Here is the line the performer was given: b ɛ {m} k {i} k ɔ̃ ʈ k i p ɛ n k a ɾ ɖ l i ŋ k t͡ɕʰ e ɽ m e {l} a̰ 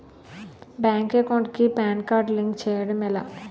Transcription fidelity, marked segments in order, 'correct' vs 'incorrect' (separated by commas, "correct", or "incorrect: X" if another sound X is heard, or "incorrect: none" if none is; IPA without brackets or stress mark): incorrect: ŋ, incorrect: e, correct